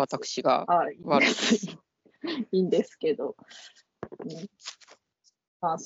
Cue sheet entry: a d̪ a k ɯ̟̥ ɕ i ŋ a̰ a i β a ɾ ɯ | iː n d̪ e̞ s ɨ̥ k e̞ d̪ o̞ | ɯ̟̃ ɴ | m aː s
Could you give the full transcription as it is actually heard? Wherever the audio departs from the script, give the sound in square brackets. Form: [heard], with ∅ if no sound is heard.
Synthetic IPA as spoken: a [t̪] a k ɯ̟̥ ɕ i [ɡ] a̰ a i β a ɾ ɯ | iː n d̪ e̞ s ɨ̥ k e̞ d̪ o̞ | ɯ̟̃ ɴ | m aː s